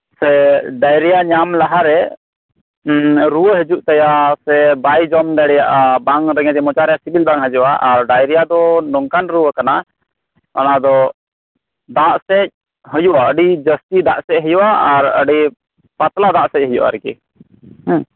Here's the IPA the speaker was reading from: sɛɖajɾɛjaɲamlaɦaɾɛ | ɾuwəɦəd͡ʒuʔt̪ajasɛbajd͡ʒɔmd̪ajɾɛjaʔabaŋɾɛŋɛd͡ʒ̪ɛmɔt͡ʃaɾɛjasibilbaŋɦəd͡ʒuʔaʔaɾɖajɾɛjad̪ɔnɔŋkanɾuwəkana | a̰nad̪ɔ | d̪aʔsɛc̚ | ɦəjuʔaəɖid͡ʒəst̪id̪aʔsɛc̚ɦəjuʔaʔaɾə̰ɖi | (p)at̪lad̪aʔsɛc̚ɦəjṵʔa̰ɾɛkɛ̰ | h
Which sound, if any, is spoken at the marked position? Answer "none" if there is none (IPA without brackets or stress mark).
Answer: p